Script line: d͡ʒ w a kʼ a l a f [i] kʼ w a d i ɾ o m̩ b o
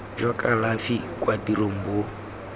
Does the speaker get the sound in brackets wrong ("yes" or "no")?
no